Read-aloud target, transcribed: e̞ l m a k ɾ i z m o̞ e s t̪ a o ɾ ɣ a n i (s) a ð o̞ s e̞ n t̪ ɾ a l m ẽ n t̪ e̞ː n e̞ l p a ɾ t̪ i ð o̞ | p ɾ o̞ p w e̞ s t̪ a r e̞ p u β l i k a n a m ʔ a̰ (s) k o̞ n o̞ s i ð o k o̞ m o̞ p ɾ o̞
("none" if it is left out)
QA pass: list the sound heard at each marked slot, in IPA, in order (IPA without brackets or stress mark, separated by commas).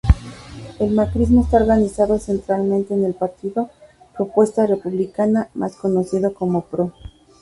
s, s